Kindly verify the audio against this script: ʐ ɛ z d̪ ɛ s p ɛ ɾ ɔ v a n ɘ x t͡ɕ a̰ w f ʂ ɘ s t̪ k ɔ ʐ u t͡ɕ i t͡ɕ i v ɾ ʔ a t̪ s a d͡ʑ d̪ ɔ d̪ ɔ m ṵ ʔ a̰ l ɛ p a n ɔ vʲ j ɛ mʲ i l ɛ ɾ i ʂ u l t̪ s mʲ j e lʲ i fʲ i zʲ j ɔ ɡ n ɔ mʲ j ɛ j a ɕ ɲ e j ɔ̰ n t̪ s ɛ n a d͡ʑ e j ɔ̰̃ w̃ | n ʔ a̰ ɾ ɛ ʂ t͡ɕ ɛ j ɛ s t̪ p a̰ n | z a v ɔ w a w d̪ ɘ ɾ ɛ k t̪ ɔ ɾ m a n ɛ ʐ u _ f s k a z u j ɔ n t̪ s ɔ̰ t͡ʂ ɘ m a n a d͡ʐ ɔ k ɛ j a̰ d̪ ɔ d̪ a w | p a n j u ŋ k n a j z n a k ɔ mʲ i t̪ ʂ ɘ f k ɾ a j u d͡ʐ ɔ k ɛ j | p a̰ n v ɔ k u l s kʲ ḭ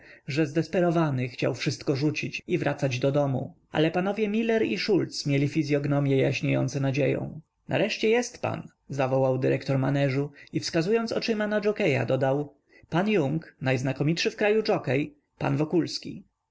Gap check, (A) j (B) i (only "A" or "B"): B